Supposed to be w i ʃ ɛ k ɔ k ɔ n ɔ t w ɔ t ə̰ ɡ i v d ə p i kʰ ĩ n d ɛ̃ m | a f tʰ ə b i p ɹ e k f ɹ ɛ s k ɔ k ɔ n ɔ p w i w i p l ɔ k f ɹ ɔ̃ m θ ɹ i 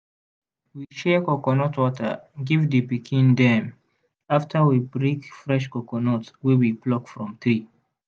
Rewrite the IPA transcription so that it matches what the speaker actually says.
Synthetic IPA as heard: w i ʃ ɛ k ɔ k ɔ n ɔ t w ɔ t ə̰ ɡ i v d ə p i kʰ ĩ n d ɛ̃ m | a f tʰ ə w i b ɹ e k f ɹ ɛ ʃ k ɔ k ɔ n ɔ t w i w i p l ɔ k f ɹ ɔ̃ m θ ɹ i